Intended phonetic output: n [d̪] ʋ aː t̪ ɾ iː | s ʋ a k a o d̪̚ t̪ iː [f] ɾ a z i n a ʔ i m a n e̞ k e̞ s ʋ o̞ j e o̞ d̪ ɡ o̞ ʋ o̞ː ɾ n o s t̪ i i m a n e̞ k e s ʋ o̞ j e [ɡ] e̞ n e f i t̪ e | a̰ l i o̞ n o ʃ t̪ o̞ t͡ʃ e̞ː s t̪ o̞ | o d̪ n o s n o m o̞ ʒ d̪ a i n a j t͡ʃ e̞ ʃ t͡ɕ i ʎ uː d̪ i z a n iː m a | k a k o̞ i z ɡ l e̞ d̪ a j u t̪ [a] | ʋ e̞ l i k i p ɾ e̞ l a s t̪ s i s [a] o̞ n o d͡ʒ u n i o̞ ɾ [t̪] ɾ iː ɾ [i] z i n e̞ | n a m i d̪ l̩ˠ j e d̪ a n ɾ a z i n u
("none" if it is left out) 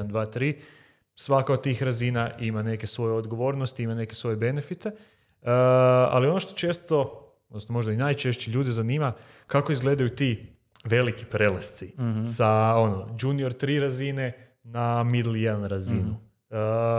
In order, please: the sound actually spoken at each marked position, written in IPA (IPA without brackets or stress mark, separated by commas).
d̪, x, b, i, a, t̪, a